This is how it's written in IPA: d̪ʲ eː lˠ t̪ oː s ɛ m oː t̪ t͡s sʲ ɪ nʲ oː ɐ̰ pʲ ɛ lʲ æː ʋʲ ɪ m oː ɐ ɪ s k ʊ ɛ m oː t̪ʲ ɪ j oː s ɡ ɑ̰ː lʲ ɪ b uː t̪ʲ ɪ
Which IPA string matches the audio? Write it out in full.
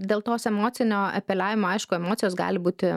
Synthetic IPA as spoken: d̪ʲ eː lˠ t̪ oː s ɛ m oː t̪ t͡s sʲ ɪ nʲ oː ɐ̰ pʲ ɛ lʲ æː ʋʲ ɪ m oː ɐ ɪ ʃ k ʊ ɛ m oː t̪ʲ ɪ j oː s ɡ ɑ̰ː lʲ ɪ b uː t̪ʲ ɪ